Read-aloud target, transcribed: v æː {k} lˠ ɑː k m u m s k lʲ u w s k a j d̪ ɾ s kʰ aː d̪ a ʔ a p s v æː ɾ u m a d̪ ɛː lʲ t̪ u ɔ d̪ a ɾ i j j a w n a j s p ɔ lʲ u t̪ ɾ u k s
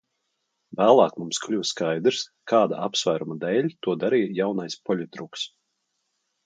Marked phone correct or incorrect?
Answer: incorrect